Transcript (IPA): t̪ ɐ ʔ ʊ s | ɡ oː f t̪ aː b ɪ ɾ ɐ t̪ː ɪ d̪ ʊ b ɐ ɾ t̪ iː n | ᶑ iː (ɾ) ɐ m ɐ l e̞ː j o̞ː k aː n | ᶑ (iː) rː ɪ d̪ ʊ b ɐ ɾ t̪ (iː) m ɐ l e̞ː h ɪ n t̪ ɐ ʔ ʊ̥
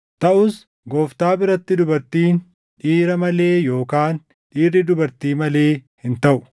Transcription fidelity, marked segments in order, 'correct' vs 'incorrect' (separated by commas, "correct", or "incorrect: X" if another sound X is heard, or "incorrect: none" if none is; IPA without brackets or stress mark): correct, correct, correct